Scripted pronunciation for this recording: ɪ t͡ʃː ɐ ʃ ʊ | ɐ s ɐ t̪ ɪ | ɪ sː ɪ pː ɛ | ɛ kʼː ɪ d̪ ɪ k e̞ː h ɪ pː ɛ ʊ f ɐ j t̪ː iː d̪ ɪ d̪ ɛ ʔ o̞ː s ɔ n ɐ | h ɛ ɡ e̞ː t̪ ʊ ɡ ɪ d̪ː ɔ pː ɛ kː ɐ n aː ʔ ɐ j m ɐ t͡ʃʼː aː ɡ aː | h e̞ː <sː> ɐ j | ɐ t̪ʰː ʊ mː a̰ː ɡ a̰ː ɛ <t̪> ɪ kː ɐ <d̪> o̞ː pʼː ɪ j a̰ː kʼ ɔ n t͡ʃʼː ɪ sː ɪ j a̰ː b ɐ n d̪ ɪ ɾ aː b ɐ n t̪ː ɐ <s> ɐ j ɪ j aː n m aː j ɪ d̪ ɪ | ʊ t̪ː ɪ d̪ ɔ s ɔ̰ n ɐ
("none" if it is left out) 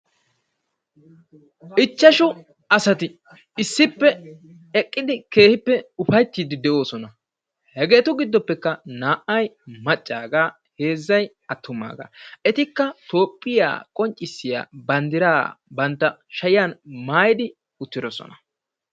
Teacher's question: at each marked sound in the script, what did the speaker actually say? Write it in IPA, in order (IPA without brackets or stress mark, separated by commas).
zː, t̪, t̪, ʃ